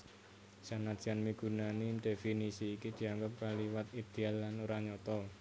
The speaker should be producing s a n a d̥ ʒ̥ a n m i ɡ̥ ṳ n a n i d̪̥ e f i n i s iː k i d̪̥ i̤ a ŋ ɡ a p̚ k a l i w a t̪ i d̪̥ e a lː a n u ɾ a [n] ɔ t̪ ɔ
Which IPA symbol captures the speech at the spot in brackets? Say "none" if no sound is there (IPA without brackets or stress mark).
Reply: ɲ